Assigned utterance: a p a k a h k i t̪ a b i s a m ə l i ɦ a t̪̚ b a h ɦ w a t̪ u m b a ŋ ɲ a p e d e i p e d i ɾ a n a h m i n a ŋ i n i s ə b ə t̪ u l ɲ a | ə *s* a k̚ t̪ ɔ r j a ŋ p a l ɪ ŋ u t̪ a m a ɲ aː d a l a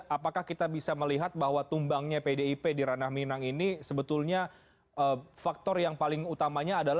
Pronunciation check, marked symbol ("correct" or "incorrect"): incorrect